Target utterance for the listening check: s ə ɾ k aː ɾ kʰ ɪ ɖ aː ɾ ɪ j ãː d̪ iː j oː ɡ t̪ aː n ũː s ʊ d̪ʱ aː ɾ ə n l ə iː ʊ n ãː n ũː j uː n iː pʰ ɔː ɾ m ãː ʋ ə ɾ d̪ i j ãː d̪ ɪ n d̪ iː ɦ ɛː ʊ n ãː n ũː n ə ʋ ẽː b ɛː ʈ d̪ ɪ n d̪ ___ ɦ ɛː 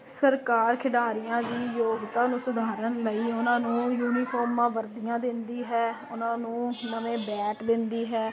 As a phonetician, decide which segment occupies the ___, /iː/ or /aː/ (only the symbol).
iː